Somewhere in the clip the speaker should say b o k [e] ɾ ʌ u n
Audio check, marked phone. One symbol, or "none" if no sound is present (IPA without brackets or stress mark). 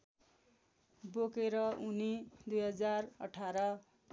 e